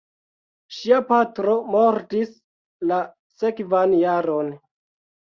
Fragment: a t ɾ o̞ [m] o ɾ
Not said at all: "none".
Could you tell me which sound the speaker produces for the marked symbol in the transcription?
m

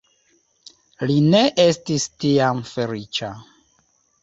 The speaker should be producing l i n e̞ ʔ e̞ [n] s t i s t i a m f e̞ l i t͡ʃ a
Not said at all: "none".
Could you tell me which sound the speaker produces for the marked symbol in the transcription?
none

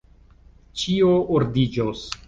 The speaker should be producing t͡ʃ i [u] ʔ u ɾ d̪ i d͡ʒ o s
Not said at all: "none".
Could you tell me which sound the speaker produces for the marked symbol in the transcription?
o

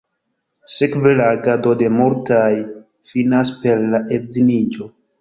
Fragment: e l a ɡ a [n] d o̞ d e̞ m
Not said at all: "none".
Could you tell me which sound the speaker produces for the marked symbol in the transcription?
none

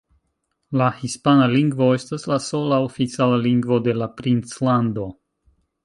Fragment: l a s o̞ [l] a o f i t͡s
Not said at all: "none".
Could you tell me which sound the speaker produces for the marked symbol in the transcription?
l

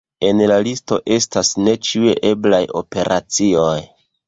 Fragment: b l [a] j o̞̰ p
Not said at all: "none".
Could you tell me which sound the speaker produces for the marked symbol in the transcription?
a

